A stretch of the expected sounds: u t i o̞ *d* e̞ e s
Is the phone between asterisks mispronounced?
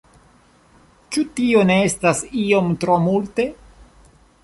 yes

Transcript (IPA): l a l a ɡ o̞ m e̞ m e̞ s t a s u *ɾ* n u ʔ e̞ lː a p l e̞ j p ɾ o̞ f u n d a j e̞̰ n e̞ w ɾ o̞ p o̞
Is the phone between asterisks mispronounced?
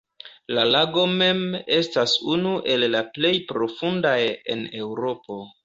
yes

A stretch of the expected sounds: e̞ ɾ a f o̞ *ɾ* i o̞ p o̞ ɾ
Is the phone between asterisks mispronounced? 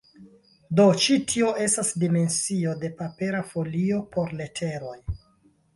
yes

